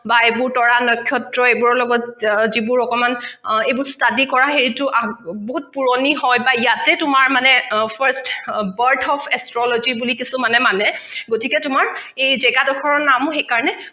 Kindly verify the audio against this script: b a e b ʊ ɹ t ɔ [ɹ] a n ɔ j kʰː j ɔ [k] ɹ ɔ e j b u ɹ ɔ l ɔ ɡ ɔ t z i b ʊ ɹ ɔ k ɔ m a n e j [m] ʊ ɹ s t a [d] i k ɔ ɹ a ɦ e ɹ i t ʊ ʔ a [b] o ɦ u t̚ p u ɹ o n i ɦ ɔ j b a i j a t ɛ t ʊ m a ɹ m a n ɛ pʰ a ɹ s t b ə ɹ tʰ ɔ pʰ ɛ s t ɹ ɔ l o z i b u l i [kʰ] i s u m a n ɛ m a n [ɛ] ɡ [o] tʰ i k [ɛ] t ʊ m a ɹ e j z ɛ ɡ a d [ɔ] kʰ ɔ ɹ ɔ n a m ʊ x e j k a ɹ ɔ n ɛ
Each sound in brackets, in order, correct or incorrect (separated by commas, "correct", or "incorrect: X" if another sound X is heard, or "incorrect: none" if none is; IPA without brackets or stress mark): correct, incorrect: t, incorrect: b, correct, correct, incorrect: k, correct, correct, correct, correct